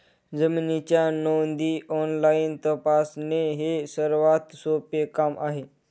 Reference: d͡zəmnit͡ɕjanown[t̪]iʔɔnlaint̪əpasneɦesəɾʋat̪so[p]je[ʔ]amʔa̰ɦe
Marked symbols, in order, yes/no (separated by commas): no, yes, no